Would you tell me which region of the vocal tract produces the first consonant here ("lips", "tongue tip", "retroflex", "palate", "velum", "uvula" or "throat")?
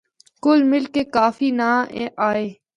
velum